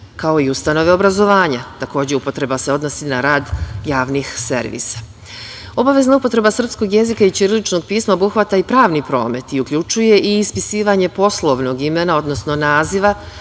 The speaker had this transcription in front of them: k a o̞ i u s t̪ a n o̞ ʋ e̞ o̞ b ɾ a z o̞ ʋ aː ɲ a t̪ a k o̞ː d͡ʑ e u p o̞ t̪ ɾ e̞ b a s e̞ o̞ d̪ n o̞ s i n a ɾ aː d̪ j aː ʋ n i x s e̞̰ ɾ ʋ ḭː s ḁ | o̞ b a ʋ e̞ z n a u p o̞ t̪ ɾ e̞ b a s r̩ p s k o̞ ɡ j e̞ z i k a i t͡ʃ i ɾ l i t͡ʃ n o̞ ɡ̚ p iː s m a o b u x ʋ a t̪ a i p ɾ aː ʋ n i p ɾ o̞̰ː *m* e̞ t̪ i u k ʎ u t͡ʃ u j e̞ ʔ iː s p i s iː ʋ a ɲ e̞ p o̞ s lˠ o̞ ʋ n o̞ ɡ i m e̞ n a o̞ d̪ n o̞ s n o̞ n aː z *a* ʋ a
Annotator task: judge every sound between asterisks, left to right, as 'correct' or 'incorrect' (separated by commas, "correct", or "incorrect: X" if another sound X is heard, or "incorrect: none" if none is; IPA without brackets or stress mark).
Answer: correct, incorrect: i